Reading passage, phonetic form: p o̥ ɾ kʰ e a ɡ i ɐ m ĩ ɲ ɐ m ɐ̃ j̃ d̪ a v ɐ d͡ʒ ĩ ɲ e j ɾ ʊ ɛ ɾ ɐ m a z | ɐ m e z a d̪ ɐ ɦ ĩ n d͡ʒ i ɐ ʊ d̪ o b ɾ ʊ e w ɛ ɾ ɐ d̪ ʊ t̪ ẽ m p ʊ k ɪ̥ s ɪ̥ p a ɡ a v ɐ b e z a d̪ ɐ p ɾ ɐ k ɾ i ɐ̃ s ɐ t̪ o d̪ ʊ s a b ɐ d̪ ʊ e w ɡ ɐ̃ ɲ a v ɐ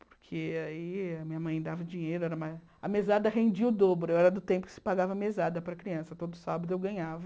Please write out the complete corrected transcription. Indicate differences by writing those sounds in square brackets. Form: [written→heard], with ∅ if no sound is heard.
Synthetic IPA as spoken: p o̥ ɾ kʰ e a [ɡ→∅] i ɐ m ĩ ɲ ɐ m ɐ̃ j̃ d̪ a v ɐ d͡ʒ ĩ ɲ e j ɾ ʊ ɛ ɾ ɐ m a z | ɐ m e z a d̪ ɐ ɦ [ĩ→ẽ] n d͡ʒ i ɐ ʊ d̪ o b ɾ ʊ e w ɛ ɾ ɐ d̪ ʊ t̪ ẽ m p ʊ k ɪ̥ s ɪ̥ p a ɡ a v ɐ [b→m] e z a d̪ ɐ p ɾ ɐ k ɾ i ɐ̃ s ɐ t̪ o d̪ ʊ s a b ɐ d̪ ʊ e w ɡ ɐ̃ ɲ a v ɐ